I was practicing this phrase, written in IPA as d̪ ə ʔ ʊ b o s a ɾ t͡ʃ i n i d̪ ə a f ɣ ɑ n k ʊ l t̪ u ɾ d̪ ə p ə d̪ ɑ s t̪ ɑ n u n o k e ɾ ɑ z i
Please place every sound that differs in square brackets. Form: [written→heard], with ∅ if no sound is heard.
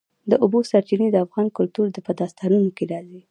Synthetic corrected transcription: d̪ ə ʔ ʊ b o s a ɾ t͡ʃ i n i d̪ ə a f ɣ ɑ n k ʊ l t̪ u ɾ d̪ ə p ə d̪ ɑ s t̪ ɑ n u n o k e ɾ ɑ z i